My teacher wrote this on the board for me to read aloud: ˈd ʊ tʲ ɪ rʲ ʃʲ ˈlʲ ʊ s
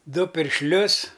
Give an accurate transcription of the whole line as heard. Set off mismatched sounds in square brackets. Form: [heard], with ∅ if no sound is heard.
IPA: ˈd ʊ [pʲ] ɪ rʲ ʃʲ ˈlʲ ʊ s